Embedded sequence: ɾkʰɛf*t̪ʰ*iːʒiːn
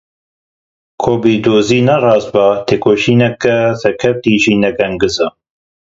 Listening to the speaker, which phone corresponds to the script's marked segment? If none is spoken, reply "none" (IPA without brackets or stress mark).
t̪